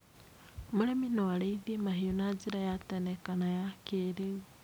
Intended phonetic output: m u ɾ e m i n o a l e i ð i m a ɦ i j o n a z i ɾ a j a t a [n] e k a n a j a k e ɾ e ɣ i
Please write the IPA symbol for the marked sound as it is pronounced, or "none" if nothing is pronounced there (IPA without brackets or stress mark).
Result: n